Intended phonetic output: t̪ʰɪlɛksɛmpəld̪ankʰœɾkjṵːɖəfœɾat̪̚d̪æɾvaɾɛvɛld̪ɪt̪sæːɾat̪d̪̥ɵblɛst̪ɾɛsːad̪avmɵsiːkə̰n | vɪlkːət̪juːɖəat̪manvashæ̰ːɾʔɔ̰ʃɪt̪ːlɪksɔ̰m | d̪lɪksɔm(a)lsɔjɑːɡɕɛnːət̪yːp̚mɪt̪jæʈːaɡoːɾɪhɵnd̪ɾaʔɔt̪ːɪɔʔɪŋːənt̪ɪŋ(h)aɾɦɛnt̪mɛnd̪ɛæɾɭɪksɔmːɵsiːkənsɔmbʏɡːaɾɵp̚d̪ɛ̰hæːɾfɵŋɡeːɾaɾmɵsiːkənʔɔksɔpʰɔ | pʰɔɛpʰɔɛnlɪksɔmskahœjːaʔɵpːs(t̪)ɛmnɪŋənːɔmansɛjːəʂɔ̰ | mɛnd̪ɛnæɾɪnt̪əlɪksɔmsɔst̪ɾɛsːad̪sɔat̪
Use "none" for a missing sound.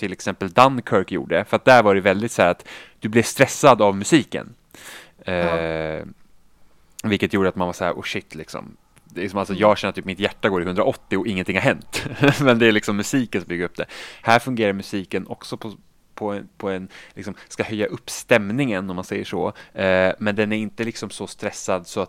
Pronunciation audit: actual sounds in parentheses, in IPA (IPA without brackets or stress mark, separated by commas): a, h, t̪